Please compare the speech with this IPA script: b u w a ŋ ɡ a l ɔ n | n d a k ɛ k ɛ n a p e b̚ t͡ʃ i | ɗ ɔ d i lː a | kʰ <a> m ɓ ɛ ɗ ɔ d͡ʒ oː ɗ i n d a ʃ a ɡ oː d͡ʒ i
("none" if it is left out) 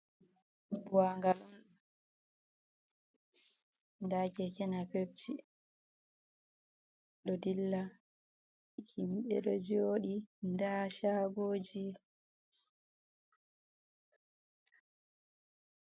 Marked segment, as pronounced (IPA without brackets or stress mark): i